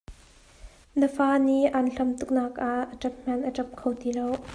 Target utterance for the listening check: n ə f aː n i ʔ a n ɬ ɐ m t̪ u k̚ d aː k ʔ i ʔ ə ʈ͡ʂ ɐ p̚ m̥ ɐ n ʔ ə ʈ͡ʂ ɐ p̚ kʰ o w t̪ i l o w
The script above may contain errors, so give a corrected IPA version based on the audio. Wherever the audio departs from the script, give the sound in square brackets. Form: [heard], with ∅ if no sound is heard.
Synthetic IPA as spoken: n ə f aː n i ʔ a n ɬ ɐ m t̪ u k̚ [n] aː k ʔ [a] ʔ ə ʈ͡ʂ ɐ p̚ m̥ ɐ n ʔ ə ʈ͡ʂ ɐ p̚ kʰ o w t̪ i l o w